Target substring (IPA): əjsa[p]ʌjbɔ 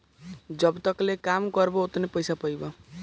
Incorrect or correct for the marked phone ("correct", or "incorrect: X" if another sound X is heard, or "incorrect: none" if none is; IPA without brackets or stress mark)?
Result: correct